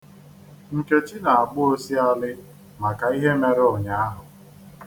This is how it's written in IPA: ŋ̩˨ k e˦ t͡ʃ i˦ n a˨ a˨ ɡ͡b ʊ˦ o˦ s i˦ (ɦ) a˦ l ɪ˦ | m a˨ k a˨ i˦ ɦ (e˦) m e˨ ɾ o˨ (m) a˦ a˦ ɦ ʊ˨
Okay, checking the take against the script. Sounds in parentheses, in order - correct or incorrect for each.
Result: incorrect: none, correct, incorrect: ɲ

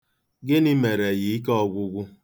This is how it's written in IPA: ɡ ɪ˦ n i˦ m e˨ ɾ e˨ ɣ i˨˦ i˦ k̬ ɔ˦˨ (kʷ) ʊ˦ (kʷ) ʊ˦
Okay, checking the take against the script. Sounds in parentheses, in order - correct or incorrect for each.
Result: incorrect: ɡʷ, incorrect: ɡʷ

